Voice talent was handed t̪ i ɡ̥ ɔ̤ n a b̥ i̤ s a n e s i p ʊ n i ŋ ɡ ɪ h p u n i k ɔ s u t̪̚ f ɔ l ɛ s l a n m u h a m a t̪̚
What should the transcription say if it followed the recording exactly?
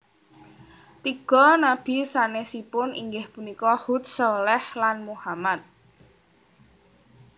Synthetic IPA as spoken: t̪ i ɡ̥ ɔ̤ n a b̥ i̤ s a n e s i p ʊ n i ŋ ɡ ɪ h p u n i k ɔ h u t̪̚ s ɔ l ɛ h l a n m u h a m a t̪̚